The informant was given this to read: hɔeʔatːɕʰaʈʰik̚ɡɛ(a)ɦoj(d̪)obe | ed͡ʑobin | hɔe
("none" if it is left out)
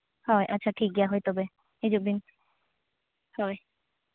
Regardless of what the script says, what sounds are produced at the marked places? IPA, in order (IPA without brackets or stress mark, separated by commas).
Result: a, t̪